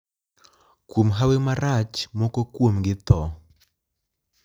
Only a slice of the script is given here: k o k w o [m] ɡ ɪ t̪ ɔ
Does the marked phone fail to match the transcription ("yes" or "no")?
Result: no